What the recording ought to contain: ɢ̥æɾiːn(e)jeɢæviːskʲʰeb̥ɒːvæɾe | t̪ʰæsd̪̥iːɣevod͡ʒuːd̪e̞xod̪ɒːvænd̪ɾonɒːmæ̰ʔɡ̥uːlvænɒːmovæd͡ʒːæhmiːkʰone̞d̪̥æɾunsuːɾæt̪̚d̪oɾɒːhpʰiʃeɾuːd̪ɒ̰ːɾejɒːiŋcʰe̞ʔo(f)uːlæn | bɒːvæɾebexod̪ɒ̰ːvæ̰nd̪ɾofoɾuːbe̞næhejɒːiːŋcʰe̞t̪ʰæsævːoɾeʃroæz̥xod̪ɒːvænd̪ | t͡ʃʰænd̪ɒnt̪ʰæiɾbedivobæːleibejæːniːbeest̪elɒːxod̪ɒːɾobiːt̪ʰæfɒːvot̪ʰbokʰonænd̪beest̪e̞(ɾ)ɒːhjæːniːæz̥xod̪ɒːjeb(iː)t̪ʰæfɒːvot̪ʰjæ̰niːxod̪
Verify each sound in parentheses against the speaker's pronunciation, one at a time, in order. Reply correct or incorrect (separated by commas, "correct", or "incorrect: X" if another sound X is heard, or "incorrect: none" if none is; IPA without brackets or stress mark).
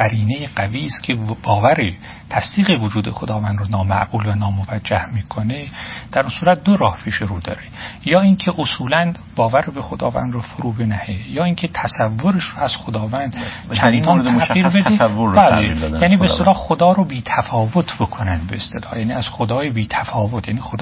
correct, incorrect: s, incorrect: l, correct